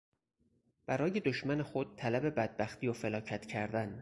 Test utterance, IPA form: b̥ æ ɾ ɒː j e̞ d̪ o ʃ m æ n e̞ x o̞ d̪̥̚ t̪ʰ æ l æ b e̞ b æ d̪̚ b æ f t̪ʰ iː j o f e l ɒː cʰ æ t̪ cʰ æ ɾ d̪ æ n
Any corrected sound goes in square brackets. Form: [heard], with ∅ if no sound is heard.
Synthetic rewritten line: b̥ æ ɾ ɒː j e̞ d̪ o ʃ m æ n e̞ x o̞ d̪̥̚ t̪ʰ æ l æ b e̞ b æ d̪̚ b æ [x] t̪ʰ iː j o f e l ɒː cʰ æ t̪ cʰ æ ɾ d̪ æ n